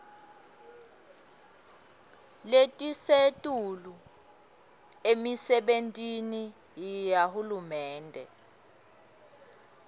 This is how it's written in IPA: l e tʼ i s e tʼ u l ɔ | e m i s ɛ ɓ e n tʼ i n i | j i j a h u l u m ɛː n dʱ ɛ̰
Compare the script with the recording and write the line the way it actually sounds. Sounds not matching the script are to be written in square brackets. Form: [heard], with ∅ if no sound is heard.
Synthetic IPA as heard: l e tʼ i s e tʼ u l [u] | e m i s ɛ ɓ e n tʼ i n i | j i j a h u l u m ɛː n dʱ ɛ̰